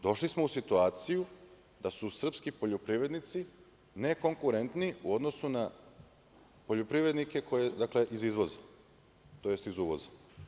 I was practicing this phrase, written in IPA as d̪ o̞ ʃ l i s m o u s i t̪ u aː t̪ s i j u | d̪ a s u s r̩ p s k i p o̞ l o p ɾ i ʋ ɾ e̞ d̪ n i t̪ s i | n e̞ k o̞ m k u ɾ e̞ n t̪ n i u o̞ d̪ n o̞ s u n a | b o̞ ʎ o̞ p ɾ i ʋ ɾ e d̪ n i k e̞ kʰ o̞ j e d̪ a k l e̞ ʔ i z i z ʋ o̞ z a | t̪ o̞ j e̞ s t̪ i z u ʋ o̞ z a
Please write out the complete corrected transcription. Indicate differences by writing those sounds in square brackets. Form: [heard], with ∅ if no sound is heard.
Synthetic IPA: d̪ o̞ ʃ l i s m o u s i t̪ u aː t̪ s i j u | d̪ a s u s r̩ p s k i p o̞ [ʎ] o p ɾ i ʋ ɾ e̞ d̪ n i t̪ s i | n e̞ k o̞ [ŋ] k u ɾ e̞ n t̪ n i u o̞ d̪ n o̞ s u n a | [p] o̞ ʎ o̞ p ɾ i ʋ ɾ e d̪ n i k e̞ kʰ o̞ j e d̪ a k l e̞ ʔ i z i z ʋ o̞ z a | t̪ o̞ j e̞ s t̪ i z u ʋ o̞ z a

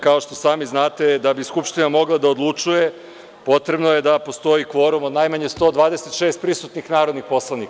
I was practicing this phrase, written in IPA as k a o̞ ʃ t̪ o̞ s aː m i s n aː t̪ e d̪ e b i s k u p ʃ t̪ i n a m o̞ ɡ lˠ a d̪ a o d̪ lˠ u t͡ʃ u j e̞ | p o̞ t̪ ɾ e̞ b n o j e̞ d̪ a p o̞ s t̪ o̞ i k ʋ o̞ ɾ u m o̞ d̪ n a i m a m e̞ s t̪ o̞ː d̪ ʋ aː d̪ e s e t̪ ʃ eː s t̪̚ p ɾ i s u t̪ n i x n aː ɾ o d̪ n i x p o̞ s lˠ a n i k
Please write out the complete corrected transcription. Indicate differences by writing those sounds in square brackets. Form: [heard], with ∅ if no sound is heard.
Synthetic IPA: k a o̞ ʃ t̪ o̞ s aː m i [z] n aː t̪ e d̪ [a] b i s k u p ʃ t̪ i n a m o̞ ɡ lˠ a d̪ a o d̪ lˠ u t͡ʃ u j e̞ | p o̞ t̪ ɾ e̞ b n o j e̞ d̪ a p o̞ s t̪ o̞ i k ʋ o̞ ɾ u m o̞ d̪ n a [j] m a [ɲ] e̞ s t̪ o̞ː d̪ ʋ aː d̪ e s e t̪ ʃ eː s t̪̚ p ɾ i s u t̪ n i x n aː ɾ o d̪ n i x p o̞ s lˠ a n i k

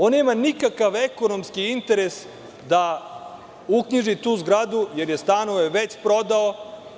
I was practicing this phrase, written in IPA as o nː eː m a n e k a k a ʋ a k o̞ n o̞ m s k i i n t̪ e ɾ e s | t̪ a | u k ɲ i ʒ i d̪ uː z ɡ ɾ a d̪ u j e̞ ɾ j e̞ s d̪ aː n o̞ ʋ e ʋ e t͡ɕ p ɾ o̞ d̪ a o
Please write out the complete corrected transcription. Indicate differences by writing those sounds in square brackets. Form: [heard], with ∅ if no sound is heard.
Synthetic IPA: o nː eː m a n [i] k a k a ʋ [e] k o̞ n o̞ m s k i i n t̪ e ɾ e s | [d̪] a | u k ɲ i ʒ i [t̪] uː z ɡ ɾ a d̪ u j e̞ ɾ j e̞ s [t̪] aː n o̞ ʋ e ʋ e t͡ɕ p ɾ o̞ d̪ a o

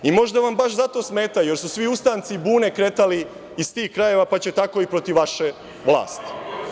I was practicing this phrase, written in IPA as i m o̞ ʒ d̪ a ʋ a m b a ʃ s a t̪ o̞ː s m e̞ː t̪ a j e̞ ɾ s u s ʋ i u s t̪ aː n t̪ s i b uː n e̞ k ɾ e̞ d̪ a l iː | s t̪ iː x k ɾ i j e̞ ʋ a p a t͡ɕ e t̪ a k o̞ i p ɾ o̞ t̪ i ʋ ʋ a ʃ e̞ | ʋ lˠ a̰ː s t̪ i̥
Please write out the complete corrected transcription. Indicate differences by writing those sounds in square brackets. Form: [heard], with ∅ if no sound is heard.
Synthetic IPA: i m o̞ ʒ d̪ a ʋ a m b a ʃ [z] a t̪ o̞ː s m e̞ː t̪ a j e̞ ɾ s u s ʋ i u s t̪ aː n t̪ s i b uː n e̞ k ɾ e̞ [t̪] a l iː | s t̪ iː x k ɾ [a] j e̞ ʋ a p a t͡ɕ e t̪ a k o̞ i p ɾ o̞ t̪ i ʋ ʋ a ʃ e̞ | ʋ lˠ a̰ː s t̪ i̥

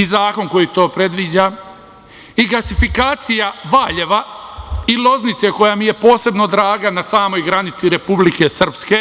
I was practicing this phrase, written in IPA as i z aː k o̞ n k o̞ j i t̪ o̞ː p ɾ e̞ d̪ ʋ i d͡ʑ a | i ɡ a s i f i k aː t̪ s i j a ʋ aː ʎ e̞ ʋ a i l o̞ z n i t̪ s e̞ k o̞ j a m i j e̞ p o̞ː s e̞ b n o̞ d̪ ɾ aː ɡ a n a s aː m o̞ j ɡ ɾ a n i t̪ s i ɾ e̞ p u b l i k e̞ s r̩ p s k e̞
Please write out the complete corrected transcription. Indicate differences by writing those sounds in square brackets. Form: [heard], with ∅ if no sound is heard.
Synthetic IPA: i z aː k o̞ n k o̞ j i t̪ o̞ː p ɾ e̞ d̪ ʋ i d͡ʑ a | i ɡ a s i f i k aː t̪ s i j a ʋ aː ʎ e̞ ʋ a i l o̞ z n i t̪ s e̞ k o̞ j a m i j e̞ p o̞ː s e̞ b n o̞ d̪ ɾ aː ɡ a n a s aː m o̞ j ɡ ɾ a n i t̪ s i ɾ e̞ p u b l i k e̞ s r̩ p s k e̞

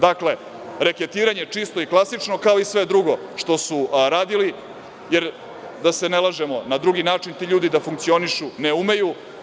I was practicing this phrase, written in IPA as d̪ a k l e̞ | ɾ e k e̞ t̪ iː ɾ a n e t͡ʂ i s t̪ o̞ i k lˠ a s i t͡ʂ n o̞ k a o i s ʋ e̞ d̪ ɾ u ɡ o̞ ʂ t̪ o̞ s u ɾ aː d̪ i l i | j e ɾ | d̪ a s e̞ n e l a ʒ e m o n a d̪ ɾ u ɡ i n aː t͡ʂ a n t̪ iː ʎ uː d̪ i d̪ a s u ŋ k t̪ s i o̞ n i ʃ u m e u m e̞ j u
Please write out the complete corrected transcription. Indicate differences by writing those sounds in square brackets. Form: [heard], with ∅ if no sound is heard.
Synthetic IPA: d̪ a k l e̞ | ɾ e k e̞ t̪ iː ɾ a [ɲ] e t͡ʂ i s t̪ o̞ i k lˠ a s i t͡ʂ n o̞ k a o i s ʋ e̞ d̪ ɾ u ɡ o̞ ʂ t̪ o̞ s u ɾ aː d̪ i l i | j e ɾ | d̪ a s e̞ n e l a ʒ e m o n a d̪ ɾ u ɡ i n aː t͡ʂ [i] n t̪ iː ʎ uː d̪ i d̪ a [f] u ŋ k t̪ s i o̞ n i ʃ u [n] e u m e̞ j u

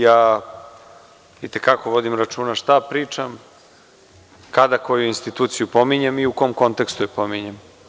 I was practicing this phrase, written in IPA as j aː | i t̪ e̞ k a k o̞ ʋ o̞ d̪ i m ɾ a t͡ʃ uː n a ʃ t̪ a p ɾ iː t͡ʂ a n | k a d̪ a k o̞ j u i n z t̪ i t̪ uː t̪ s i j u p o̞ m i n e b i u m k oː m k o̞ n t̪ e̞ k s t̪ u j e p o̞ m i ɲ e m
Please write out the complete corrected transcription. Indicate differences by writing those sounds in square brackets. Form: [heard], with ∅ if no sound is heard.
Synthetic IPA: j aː | i t̪ e̞ k a k o̞ ʋ o̞ d̪ i m ɾ a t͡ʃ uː n a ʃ t̪ a p ɾ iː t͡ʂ a [m] | k a d̪ a k o̞ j u i n [s] t̪ i t̪ uː t̪ s i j u p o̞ m i [ɲ] e [m] i u [∅] k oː m k o̞ n t̪ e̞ k s t̪ u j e p o̞ m i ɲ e m

